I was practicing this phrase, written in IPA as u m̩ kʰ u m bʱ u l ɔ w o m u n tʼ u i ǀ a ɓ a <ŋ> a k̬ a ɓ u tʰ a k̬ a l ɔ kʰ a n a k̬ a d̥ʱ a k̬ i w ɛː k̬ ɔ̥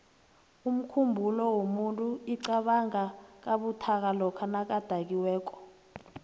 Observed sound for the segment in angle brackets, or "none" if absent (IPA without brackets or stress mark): ŋ